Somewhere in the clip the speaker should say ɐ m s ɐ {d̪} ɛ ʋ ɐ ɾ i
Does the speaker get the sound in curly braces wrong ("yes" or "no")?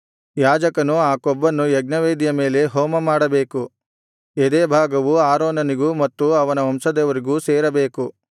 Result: no